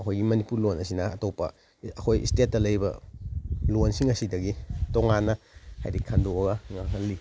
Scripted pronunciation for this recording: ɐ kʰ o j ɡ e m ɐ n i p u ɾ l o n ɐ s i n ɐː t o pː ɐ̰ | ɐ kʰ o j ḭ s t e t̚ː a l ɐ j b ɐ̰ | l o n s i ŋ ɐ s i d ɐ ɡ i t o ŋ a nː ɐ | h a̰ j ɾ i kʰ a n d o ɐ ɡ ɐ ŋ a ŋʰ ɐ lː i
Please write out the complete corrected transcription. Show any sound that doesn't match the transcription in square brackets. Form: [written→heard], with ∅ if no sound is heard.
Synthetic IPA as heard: ɐ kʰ o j ɡ [e→i] m ɐ n i p u ɾ l o n ɐ s i n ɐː t o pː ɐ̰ | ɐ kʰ o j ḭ s t e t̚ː [a→ɐ] l ɐ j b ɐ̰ | l o n s i ŋ ɐ s i d ɐ ɡ i t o ŋ a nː ɐ | h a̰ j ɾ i kʰ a n d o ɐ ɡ ɐ ŋ a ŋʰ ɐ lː i